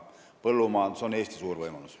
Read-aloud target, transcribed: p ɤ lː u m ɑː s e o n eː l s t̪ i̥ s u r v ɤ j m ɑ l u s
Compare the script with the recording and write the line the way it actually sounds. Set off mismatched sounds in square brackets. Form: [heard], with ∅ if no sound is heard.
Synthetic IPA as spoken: p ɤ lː u m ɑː s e o n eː [∅] s t̪ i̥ s [uː] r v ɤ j m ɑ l u s

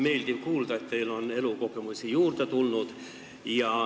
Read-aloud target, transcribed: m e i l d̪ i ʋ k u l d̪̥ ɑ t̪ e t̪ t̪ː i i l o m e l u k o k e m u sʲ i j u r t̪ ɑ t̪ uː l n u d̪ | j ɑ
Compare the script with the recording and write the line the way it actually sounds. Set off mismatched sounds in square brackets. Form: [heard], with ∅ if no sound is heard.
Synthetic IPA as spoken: m e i l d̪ i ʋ k [uː] l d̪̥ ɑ [∅] e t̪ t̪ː [e] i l o [n] e l u k o k e m u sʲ i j [uː] r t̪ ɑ t̪ [u] l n u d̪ | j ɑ

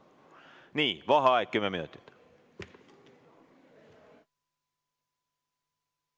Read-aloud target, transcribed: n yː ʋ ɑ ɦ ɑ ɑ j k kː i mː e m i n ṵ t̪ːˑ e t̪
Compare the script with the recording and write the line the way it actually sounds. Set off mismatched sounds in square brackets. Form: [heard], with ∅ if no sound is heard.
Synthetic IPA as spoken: n [iː] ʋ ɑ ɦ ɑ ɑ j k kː [y] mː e m i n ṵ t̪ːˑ [i] t̪

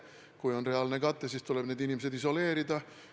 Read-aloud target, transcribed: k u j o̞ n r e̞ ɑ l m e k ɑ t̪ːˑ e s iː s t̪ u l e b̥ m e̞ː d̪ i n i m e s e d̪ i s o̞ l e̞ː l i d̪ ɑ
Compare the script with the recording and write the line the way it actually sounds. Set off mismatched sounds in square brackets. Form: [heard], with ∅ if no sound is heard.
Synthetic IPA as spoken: k u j o̞ n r e̞ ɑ l [n] e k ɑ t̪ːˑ e s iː s t̪ u l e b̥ [n] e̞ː d̪ i n i m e s e d̪ i s o̞ l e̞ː [ɾ] i d̪ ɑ

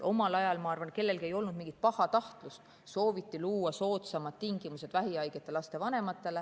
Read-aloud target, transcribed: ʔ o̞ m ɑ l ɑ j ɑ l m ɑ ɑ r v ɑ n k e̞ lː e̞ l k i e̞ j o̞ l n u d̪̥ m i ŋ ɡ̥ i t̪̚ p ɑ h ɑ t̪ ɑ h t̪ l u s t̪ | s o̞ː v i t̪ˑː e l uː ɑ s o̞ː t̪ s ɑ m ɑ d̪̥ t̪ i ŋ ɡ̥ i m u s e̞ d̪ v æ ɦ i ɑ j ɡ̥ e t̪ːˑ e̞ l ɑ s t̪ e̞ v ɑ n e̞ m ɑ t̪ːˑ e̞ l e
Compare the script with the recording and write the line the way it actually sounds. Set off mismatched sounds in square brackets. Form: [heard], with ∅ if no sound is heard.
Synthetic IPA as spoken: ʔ o̞ m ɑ l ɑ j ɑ l m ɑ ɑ r v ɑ n k e̞ lː e̞ l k i e̞ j o̞ l n u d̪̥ m i ŋ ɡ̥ i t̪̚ p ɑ h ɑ t̪ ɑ h t̪ l u s t̪ | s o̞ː v i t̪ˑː [i] l uː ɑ s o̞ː t̪ s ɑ m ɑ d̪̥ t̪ i ŋ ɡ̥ i m u s e̞ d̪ v æ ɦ i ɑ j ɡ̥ e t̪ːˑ e̞ l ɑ s t̪ e̞ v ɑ n e̞ m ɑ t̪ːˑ e̞ l e

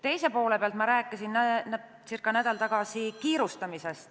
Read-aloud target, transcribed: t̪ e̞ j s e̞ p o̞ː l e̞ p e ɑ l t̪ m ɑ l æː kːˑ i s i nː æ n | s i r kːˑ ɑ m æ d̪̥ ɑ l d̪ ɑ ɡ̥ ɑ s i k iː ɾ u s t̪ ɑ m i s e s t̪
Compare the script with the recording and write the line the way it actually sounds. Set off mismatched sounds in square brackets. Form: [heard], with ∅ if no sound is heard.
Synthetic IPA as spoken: t̪ e̞ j s e̞ p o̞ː l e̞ p e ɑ l t̪ m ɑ [ɾ] æː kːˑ i s i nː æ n | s i r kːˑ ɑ [n] æ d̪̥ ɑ l [t̪] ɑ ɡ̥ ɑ s i k iː ɾ u s t̪ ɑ m i s e s t̪

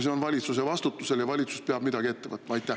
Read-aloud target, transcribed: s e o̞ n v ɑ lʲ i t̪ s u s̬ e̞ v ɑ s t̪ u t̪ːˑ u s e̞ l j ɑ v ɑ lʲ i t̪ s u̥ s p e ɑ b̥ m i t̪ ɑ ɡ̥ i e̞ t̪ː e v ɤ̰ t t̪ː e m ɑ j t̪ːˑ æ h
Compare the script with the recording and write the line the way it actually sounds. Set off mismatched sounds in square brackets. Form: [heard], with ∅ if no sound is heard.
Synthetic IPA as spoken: s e o̞ n v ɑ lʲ i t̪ s u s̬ e̞ v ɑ s t̪ u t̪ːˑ u s e̞ l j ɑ v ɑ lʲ i t̪ s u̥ s p e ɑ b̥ m i [d̪] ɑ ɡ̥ i e̞ t̪ː e v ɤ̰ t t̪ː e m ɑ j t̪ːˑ æ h

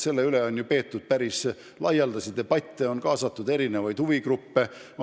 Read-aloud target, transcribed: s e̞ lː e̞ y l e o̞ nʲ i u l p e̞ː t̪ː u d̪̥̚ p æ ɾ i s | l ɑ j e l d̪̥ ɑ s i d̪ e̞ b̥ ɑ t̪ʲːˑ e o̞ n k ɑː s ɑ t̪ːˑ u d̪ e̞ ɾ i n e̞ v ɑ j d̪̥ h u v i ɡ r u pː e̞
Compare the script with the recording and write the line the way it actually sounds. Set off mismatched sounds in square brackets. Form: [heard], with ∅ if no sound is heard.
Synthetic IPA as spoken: s e̞ lː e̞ y l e o̞ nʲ [j] u [∅] p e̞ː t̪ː u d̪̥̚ p æ ɾ i s | l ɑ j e l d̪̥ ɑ s i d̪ e̞ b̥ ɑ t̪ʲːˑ e o̞ n k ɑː s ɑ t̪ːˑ u d̪ e̞ ɾ i n e̞ v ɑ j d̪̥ h u v i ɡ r u pː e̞

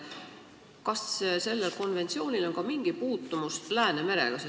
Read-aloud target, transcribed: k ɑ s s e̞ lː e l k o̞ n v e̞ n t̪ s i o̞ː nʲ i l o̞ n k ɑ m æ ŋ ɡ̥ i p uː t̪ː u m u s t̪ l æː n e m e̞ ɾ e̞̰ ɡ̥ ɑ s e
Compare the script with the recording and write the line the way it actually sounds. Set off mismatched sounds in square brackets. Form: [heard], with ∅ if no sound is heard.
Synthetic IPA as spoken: k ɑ s s e̞ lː e l k o̞ n v e̞ n t̪ s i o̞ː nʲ i l o̞ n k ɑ m [i] ŋ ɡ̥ i p uː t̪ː u m u s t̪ l æː n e m e̞ ɾ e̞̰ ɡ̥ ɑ s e

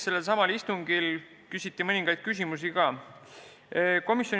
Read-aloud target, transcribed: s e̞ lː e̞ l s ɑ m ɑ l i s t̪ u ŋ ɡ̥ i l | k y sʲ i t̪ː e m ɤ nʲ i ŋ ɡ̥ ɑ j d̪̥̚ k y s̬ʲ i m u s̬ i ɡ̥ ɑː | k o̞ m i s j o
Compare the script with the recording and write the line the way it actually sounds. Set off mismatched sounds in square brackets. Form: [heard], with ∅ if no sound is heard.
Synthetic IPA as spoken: s e̞ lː e̞ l s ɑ m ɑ l i s t̪ u ŋ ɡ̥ i l | k y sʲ i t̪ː [i] m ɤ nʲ i ŋ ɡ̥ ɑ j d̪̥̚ k y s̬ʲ i m u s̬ i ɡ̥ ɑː | k o̞ m i s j o

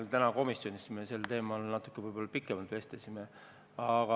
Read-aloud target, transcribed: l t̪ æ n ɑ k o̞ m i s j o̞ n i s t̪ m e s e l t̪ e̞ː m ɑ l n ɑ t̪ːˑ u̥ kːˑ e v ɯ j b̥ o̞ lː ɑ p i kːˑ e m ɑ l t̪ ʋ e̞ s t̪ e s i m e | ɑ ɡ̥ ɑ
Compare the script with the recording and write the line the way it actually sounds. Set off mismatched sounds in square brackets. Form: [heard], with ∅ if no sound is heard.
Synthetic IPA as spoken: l t̪ æ n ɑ k o̞ m i s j o̞ n i s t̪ m e s e l t̪ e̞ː m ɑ l n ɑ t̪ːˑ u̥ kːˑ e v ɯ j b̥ o̞ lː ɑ p i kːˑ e m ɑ l t̪ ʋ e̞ s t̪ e s i m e | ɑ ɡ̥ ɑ

